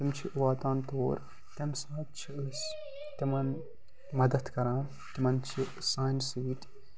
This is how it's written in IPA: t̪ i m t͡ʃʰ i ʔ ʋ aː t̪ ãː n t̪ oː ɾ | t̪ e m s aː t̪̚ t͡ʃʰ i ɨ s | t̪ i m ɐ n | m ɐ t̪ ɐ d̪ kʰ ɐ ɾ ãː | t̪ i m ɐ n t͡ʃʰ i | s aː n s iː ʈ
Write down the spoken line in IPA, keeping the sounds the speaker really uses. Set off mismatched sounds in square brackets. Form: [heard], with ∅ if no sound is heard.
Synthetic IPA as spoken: t̪ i m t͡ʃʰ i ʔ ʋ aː t̪ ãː n t̪ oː ɾ | t̪ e m s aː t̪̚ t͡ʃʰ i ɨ s | t̪ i m ɐ n | m ɐ [d̪] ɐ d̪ [k] ɐ ɾ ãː | t̪ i m ɐ n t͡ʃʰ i | s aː n s iː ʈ